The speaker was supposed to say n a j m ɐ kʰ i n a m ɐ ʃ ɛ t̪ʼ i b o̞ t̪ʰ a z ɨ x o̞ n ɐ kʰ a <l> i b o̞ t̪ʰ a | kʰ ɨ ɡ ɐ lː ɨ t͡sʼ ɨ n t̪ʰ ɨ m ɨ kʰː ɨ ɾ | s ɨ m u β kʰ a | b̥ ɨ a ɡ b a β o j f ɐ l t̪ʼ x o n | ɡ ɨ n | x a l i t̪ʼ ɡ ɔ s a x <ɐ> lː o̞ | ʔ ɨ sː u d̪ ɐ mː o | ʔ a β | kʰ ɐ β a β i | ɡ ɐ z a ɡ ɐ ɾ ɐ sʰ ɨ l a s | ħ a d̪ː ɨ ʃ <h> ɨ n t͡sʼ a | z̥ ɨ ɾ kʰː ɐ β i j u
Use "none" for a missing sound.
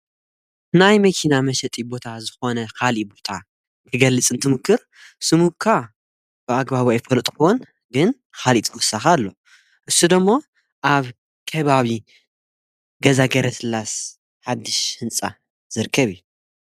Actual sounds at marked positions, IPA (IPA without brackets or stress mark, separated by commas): l, a, h